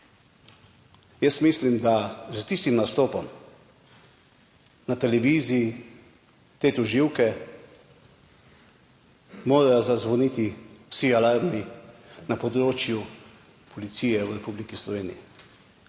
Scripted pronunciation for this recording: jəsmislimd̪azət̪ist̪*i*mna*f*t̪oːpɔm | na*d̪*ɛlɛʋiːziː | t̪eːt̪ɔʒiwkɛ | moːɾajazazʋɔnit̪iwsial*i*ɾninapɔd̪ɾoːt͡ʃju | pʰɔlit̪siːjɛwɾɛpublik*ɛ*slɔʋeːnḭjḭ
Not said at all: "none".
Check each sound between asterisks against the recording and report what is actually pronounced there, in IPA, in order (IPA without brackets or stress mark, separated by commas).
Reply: i, s, t̪, a, i